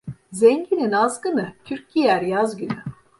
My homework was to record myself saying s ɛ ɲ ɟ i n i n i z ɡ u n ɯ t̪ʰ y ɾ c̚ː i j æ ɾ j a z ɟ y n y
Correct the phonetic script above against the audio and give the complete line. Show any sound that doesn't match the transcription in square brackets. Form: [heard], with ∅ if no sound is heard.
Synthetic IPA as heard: [z] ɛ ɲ ɟ i n i n [a] z ɡ [ɯ] n ɯ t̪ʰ y ɾ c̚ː i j æ ɾ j a z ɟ y n y